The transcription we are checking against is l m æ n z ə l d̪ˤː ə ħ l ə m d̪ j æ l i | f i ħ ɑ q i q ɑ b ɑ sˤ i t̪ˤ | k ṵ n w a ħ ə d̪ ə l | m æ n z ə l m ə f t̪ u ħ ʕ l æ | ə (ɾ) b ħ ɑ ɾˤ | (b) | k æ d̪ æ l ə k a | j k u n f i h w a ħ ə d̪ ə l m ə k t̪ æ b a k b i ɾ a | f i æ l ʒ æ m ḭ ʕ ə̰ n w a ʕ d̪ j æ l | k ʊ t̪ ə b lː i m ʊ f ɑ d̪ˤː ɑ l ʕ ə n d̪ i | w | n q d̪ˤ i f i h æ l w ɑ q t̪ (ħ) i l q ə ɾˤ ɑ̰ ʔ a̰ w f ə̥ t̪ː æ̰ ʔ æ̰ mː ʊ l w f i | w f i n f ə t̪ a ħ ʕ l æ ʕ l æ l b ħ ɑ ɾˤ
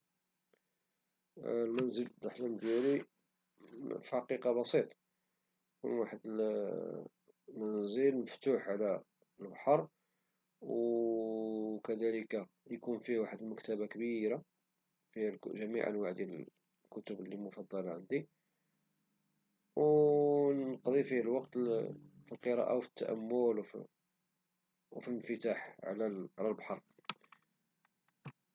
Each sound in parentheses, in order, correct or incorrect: incorrect, incorrect, incorrect

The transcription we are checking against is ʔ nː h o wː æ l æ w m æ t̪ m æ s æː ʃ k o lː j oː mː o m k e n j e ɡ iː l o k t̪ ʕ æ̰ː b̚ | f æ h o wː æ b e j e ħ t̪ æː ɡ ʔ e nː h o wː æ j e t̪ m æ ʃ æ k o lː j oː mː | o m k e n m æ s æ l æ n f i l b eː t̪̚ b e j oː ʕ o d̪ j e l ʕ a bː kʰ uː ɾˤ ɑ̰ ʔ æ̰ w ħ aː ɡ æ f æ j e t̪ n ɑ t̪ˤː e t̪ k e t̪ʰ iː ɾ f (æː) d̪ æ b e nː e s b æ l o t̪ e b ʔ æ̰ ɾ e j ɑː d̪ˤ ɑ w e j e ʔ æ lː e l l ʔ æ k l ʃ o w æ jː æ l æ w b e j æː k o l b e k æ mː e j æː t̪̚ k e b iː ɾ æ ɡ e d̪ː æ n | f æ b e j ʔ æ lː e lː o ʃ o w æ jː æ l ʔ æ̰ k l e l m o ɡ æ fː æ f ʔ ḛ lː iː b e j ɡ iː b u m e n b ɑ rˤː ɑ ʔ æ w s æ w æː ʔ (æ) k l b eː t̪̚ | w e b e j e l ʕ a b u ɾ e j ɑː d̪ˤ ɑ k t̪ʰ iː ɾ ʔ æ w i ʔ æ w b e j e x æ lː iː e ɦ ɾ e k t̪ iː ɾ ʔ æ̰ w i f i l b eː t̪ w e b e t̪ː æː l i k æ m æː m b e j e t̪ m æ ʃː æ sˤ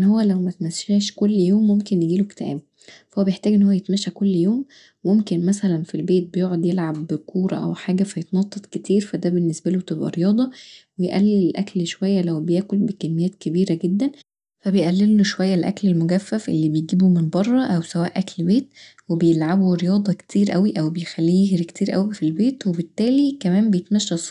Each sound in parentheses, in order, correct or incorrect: incorrect, correct

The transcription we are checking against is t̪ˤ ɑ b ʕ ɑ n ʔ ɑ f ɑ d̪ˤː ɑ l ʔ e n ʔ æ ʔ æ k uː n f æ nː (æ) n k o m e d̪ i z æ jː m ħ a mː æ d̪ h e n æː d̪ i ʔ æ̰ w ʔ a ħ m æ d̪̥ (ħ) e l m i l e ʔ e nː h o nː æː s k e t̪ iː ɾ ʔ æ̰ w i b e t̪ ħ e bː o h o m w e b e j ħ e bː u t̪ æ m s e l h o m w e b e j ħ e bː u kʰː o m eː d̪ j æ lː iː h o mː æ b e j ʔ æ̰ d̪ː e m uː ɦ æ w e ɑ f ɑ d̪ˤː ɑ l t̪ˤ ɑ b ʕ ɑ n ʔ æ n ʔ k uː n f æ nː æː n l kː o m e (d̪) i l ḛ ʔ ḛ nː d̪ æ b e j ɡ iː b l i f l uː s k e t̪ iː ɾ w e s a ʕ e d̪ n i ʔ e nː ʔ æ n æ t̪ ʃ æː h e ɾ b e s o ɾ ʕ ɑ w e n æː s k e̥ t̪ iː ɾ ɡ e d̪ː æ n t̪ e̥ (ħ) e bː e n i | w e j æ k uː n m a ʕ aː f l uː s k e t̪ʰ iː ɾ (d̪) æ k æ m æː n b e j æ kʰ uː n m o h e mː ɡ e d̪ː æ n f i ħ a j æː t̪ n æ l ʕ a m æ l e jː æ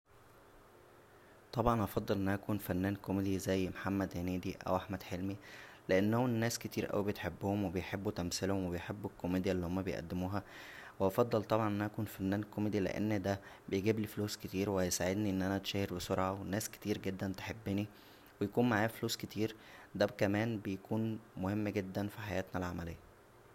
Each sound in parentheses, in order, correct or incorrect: incorrect, correct, correct, correct, correct

